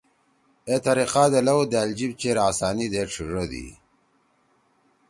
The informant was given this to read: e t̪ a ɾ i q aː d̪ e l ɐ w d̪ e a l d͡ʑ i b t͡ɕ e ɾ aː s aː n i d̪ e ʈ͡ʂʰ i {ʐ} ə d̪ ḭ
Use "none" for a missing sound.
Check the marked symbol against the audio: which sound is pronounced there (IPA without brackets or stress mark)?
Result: ʐ